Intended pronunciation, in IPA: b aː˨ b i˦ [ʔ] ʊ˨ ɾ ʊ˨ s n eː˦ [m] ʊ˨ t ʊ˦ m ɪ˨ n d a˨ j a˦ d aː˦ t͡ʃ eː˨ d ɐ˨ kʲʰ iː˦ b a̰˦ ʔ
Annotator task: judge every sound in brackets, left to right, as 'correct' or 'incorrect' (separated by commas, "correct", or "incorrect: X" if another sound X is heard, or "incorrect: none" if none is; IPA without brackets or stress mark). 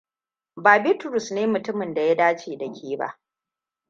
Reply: incorrect: t, correct